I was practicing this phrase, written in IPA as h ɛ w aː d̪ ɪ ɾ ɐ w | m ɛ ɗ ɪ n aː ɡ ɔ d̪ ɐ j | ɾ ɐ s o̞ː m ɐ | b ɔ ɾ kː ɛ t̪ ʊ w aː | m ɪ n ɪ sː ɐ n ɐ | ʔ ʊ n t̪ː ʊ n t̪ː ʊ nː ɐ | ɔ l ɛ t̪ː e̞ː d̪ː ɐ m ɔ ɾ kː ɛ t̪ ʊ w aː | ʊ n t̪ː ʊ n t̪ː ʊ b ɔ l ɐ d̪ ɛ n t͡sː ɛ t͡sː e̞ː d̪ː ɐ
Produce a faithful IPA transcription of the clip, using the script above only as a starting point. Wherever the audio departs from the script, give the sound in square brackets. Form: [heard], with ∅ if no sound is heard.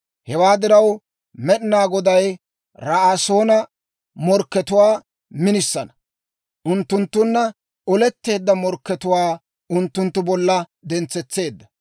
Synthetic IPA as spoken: h ɛ w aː d̪ ɪ ɾ ɐ w | m ɛ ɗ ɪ n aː ɡ ɔ d̪ ɐ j | ɾ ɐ s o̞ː [n] ɐ | [m] ɔ ɾ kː ɛ t̪ ʊ w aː | m ɪ n ɪ sː ɐ n ɐ | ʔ ʊ n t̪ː ʊ n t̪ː ʊ nː ɐ | ɔ l ɛ t̪ː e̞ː d̪ː ɐ m ɔ ɾ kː ɛ t̪ ʊ w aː | ʊ n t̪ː ʊ n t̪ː ʊ b ɔ [lː] ɐ d̪ ɛ n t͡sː ɛ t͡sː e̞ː d̪ː ɐ